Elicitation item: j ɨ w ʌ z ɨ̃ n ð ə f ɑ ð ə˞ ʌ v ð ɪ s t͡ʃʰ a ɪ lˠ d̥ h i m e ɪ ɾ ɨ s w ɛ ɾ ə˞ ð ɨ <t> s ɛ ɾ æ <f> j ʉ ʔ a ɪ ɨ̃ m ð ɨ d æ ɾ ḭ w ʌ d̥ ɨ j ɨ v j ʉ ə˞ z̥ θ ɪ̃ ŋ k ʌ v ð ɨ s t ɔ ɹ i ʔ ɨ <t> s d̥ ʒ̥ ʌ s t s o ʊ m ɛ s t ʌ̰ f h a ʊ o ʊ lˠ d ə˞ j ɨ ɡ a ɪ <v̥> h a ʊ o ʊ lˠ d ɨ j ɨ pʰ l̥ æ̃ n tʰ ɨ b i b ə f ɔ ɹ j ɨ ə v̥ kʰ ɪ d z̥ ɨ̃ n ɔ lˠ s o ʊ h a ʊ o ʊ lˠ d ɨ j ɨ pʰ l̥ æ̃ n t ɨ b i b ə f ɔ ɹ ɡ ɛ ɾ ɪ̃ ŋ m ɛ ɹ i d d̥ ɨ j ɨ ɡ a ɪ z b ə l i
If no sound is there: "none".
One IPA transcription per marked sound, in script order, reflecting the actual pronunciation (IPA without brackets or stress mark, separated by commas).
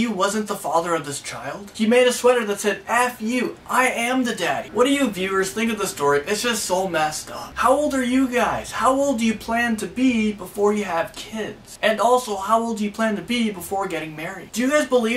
t, f, t, z̥